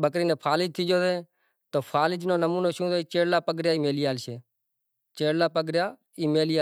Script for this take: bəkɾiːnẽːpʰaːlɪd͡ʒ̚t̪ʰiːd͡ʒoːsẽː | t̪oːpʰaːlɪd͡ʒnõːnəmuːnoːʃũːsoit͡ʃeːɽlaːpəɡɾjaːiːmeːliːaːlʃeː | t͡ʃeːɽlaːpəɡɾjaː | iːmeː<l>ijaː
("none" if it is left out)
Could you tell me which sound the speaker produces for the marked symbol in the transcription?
l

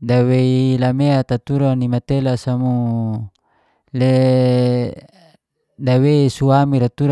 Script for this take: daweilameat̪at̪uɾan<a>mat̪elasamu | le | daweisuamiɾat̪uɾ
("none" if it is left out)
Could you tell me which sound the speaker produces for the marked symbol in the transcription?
i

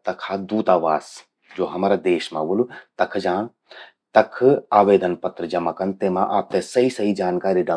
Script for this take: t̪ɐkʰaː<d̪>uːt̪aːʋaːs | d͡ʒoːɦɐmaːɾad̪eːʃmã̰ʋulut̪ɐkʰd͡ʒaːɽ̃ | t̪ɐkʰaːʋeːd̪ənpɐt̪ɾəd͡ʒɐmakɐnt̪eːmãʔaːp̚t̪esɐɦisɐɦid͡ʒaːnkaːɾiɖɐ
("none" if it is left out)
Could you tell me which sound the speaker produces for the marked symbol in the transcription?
d̪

